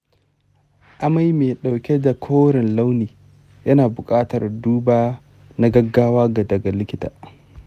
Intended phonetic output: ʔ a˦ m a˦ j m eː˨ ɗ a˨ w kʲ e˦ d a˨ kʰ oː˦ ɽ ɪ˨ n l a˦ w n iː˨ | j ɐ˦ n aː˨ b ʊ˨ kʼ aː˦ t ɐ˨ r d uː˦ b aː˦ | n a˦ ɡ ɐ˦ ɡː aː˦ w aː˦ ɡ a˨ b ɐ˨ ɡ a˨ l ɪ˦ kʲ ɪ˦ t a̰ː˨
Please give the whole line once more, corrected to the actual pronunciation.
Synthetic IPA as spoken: ʔ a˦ m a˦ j m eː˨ ɗ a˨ w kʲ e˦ d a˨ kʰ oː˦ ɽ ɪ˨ n l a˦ w n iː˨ | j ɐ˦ n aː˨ b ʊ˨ kʼ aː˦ t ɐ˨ r d uː˦ b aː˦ | n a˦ ɡ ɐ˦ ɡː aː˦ w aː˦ ɡ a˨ d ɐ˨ ɡ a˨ l ɪ˦ kʲ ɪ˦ t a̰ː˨